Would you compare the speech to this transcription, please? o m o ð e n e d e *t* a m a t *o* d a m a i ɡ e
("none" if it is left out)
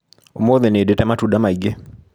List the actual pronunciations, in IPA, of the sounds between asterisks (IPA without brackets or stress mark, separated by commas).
t, u